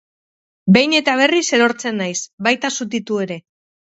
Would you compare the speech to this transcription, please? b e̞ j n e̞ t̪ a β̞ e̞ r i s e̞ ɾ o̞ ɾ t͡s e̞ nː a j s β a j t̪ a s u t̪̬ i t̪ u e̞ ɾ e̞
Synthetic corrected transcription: b e̞ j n e̞ t̪ a β̞ e̞ r i s e̞ ɾ o̞ ɾ t͡s e̞ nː a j s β a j t̪ a s u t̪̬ i t̪ u e̞ ɾ e̞